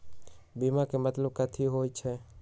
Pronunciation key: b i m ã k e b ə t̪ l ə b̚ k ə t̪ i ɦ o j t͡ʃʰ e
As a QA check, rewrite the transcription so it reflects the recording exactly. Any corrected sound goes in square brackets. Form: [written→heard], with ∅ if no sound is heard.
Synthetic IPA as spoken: b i m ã k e [b→m] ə t̪ l ə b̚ k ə [t̪→t̪ʰ] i ɦ o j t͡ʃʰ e

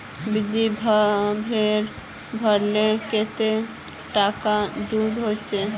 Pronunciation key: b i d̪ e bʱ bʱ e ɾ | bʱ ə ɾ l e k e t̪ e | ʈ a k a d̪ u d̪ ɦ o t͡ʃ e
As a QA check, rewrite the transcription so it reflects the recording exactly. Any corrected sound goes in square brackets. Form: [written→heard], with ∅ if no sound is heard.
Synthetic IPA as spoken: b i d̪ [e→i] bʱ bʱ e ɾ | bʱ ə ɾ l e k e t̪ e | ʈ a k a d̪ u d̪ ɦ o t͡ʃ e

